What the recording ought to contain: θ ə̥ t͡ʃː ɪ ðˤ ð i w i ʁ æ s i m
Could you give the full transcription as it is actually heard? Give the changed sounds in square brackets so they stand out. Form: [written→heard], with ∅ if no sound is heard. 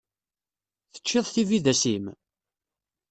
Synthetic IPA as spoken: θ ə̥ t͡ʃː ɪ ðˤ [ð→θ] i [w→v] i [ʁ→ð] æ s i m